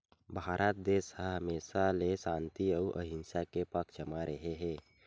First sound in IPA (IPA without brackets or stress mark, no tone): bʱ